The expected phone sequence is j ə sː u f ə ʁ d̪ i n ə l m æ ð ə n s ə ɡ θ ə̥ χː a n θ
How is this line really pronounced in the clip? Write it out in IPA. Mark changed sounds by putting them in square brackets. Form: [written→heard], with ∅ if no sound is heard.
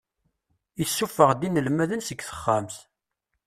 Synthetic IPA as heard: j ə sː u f ə ʁ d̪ i n ə l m æ ð ə n s ə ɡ θ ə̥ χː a [n→m] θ